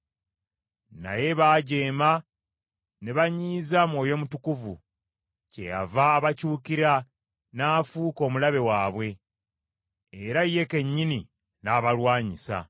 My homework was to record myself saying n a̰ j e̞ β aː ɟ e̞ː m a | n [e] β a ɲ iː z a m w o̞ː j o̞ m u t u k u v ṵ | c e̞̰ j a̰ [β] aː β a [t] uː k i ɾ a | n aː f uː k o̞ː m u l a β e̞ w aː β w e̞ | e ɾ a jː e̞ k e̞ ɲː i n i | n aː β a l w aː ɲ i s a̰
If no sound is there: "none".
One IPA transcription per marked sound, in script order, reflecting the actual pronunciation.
e, v, c

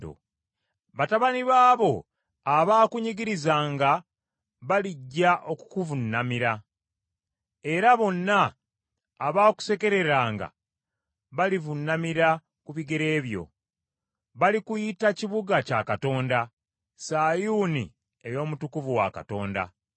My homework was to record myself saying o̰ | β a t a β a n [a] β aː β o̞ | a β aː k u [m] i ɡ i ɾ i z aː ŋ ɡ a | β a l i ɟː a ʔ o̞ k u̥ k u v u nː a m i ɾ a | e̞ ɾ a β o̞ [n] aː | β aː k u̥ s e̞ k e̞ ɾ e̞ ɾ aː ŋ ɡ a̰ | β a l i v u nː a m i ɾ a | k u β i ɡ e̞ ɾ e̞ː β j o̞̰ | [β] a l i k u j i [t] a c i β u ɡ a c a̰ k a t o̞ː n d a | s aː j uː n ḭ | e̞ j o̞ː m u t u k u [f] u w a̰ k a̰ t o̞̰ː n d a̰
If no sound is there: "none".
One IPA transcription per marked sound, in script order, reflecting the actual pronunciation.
i, ɲ, nː, β, t, v

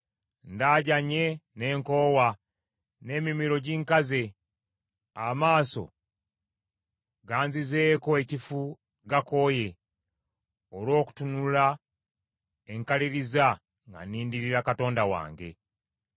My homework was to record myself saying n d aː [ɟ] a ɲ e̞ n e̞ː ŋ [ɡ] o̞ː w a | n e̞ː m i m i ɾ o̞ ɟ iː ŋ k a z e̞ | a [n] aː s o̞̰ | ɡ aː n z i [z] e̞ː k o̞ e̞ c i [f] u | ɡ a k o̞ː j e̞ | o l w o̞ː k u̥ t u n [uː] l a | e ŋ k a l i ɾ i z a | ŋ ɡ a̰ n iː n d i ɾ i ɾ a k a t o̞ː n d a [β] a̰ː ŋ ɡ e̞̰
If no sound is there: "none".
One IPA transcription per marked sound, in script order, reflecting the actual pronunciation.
ɟ, k, m, z, f, u, w

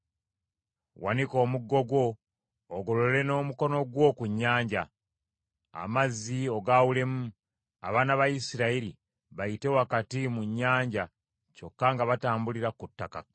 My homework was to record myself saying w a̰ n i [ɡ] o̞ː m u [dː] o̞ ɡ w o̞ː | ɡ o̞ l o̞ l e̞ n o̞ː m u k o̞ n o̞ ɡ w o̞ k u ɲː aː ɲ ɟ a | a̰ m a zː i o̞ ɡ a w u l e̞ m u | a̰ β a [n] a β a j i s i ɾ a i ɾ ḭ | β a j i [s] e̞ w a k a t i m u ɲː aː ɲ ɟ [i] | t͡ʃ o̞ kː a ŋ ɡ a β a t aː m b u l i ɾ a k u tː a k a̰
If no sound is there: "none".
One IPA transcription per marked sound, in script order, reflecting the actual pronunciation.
k, ɡː, n, t, a

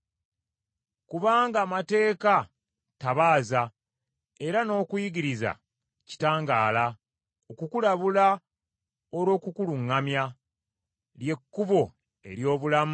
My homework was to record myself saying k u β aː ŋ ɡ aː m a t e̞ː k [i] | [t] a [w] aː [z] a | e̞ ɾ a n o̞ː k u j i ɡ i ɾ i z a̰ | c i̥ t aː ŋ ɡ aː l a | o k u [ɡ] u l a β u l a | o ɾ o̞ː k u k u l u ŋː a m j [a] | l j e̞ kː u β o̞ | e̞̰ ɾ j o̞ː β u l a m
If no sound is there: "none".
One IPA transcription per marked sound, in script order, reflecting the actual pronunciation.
a, t, β, z, k, a

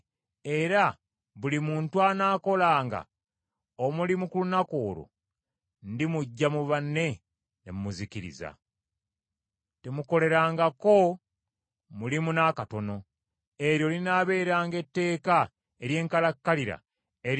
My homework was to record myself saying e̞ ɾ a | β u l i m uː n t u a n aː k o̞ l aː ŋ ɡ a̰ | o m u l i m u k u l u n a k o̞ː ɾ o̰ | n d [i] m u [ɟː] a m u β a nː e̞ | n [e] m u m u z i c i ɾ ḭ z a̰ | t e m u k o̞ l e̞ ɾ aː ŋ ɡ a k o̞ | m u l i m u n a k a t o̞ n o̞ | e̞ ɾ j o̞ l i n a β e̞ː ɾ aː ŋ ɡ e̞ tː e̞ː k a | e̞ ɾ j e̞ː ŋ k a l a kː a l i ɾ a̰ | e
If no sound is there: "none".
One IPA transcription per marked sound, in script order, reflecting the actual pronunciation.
i, ɟː, e

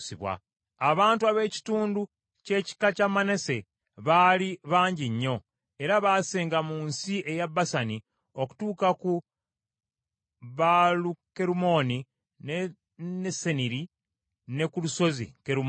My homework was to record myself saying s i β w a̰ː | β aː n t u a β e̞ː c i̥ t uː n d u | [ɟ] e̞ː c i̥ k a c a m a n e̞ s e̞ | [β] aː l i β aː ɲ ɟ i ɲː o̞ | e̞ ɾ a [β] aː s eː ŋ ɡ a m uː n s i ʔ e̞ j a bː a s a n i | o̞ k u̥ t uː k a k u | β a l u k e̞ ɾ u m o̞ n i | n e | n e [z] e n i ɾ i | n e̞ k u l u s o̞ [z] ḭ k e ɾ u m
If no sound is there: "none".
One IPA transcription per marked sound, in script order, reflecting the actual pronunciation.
c, β, β, s, z

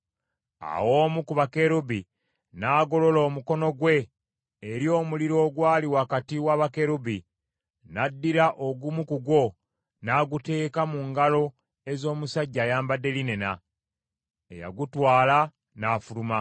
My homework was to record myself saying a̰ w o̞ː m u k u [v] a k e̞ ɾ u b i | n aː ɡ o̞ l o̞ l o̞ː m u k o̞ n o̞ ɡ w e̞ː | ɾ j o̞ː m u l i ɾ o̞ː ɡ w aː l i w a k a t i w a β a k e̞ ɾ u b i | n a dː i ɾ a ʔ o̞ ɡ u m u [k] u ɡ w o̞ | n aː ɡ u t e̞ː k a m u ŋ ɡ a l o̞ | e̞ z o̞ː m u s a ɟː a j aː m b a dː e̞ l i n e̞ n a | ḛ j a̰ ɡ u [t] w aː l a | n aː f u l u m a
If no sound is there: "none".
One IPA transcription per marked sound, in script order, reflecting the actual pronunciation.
β, k, t

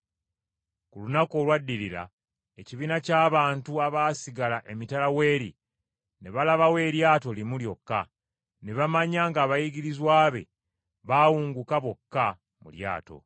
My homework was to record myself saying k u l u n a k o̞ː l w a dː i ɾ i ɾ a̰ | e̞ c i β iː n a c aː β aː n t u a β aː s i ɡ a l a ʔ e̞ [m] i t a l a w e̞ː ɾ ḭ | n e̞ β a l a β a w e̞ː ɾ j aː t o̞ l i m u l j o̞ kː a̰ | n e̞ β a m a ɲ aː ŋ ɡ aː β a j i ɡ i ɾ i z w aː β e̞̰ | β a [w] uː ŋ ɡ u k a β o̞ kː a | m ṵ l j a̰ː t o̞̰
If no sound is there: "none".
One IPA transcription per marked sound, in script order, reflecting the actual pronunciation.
m, w

